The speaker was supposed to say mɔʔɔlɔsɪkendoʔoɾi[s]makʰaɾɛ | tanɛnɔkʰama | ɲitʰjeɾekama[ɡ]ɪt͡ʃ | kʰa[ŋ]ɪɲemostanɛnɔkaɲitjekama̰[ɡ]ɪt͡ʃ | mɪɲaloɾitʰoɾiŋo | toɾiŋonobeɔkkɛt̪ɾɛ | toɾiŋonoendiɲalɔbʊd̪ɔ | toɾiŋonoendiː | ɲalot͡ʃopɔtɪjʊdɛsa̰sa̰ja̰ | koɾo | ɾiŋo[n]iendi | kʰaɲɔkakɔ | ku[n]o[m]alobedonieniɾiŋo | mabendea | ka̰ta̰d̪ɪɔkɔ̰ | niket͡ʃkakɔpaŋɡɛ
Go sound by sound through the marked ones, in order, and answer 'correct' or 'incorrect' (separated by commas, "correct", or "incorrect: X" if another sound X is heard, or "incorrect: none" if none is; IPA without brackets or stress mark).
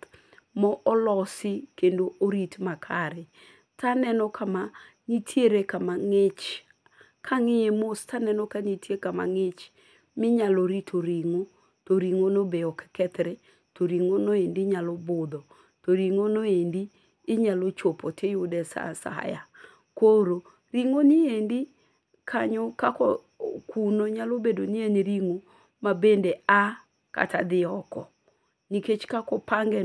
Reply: incorrect: t, incorrect: ŋ, correct, incorrect: ŋ, correct, correct, incorrect: ɲ